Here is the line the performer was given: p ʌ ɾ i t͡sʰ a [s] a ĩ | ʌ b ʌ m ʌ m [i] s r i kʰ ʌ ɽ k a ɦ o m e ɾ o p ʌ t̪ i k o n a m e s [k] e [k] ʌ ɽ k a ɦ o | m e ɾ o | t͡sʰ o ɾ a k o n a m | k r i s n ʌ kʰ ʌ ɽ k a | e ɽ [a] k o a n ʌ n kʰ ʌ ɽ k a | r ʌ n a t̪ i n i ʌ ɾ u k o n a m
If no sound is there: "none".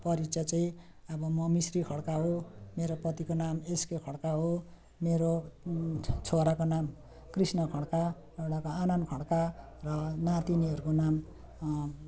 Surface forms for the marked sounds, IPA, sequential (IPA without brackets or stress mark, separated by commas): t͡s, i, k, kʰ, a